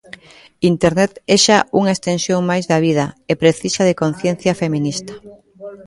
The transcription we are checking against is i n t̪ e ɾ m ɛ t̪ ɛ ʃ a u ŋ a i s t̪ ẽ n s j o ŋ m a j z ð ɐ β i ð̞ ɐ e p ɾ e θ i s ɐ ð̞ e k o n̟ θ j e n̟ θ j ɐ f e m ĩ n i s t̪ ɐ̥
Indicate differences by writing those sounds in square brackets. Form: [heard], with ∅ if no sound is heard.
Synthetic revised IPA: i n t̪ e ɾ [n] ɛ t̪ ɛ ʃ a u ŋ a [e] s t̪ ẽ n s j o ŋ m a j z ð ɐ β i ð̞ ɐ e p ɾ e θ i s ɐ ð̞ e k o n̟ θ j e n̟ θ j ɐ f e m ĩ n i s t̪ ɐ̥

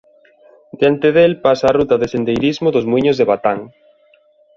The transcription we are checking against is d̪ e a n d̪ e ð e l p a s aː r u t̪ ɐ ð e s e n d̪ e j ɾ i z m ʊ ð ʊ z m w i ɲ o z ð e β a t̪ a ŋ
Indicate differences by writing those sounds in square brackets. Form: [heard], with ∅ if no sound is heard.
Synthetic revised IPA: d̪ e a n [t̪] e ð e l p a s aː r u t̪ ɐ ð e s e n d̪ e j ɾ i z m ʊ ð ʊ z m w i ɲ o z ð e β a t̪ a ŋ

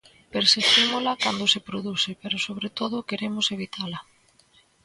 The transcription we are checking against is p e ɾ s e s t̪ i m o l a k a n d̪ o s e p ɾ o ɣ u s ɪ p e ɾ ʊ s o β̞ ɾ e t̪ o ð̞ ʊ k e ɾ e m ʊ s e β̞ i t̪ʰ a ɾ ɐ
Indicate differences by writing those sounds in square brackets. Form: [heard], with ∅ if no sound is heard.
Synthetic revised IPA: p e ɾ s e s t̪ i m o l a k a n d̪ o s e p ɾ o [ð] u s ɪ p e ɾ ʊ s o β̞ ɾ e t̪ o ð̞ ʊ k e ɾ e m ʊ s e β̞ i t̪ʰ a [l] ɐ

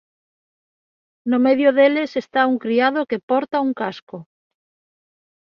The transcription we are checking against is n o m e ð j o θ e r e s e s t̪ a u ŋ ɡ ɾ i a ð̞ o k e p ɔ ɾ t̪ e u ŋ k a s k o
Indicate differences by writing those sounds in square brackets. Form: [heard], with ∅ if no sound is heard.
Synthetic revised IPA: n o m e ð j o [ð] e [l] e s e s t̪ a u ŋ [k] ɾ i a ð̞ o k e p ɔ ɾ t̪ [a] u ŋ k a s k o

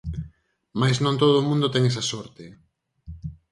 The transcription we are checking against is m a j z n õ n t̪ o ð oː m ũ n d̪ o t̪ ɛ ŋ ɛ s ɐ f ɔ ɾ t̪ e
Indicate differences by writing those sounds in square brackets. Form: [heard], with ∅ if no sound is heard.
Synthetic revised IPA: m a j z n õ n t̪ o ð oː m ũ n d̪ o t̪ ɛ ŋ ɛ s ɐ [s] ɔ ɾ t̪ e

